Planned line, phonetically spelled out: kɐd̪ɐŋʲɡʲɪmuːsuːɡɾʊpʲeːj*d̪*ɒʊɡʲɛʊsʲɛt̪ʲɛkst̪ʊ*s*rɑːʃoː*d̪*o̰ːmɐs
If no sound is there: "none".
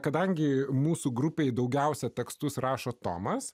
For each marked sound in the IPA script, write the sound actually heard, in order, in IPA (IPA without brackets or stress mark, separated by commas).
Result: d̪, s, t̪